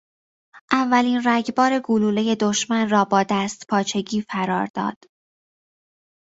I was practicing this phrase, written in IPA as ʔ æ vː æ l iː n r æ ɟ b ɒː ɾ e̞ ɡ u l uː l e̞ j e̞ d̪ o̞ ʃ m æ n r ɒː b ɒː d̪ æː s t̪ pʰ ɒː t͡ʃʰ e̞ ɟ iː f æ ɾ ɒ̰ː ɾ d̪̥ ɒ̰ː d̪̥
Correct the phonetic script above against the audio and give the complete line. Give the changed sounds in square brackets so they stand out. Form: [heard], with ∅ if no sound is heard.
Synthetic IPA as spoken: ʔ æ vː æ l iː n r æ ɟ b ɒː ɾ e̞ ɡ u l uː l e̞ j e̞ d̪ o̞ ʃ m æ n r ɒː b ɒː d̪ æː s t̪ pʰ ɒː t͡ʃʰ e̞ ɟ iː f æ ɾ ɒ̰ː ɾ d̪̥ ɒ̰ː d̪̥